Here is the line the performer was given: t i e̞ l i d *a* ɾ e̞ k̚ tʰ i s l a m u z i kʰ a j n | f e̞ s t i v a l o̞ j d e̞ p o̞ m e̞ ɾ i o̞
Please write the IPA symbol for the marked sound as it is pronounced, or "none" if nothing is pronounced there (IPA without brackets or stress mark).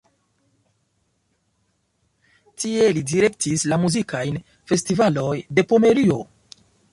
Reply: i